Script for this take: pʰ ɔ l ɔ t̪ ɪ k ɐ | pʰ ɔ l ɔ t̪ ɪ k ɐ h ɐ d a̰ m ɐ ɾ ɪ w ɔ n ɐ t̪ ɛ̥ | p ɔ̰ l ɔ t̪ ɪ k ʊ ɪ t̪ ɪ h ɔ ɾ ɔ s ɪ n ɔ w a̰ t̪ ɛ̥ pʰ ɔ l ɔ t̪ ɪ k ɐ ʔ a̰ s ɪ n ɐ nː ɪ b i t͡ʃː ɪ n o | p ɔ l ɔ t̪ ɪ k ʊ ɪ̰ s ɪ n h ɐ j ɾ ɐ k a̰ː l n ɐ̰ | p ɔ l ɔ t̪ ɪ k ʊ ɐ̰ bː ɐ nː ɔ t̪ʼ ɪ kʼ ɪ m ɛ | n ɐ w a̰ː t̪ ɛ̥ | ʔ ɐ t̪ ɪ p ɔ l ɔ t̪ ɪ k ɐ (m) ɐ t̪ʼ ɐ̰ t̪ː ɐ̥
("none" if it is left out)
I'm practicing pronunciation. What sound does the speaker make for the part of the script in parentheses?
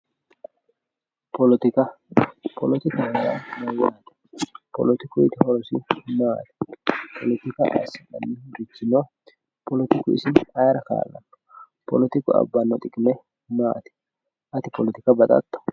b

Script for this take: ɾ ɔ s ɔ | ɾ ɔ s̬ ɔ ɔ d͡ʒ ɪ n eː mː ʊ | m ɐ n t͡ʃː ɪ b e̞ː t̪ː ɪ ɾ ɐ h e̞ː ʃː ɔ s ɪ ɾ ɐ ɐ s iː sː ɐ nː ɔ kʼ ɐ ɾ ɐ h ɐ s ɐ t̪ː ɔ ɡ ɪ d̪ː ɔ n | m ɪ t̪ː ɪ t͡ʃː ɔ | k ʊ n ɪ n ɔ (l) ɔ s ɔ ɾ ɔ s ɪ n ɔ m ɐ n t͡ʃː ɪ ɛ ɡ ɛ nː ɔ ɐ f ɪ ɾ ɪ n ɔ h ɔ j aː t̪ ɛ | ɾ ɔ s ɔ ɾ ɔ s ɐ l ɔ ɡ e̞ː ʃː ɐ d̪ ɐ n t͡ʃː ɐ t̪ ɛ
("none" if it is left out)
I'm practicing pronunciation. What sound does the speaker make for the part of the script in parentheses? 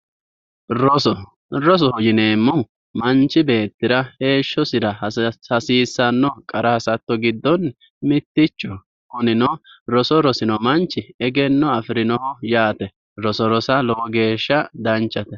ɾ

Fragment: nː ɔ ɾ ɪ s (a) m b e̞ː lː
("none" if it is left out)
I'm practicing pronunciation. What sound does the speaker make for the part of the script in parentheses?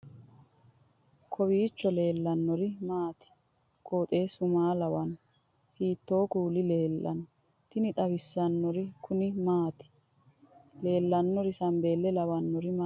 ɐ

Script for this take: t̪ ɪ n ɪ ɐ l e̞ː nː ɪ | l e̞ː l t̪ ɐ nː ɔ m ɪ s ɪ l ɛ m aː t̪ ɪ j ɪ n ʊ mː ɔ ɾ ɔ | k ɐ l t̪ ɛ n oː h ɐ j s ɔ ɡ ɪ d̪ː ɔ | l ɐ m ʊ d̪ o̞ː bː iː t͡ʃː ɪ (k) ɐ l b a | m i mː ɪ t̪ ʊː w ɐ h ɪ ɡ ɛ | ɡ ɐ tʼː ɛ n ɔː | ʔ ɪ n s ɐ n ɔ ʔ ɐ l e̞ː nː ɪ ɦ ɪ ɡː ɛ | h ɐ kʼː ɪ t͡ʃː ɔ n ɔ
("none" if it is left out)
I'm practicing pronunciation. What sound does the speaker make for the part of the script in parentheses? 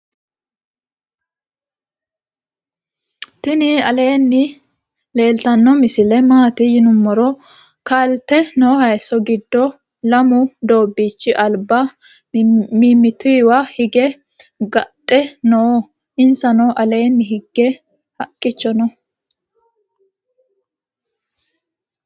ʔ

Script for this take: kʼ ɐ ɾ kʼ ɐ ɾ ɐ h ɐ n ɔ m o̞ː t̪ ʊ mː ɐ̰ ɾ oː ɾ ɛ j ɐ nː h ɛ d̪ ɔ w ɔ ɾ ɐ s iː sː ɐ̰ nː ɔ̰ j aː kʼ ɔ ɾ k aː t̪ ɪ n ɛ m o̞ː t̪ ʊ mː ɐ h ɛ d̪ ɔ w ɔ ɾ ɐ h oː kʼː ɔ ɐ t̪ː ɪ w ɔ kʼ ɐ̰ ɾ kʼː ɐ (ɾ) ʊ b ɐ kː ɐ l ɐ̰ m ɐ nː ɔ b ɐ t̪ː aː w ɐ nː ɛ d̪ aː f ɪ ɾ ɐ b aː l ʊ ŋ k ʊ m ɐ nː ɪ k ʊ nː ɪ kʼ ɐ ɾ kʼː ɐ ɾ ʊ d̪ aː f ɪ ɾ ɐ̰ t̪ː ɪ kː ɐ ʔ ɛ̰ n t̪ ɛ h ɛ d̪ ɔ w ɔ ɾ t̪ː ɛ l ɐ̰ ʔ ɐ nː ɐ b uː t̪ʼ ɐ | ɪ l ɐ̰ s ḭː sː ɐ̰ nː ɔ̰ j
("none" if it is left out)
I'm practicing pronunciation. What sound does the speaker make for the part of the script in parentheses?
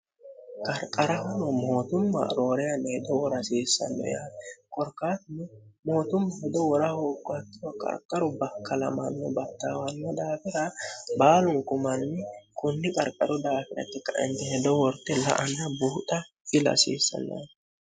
ɾ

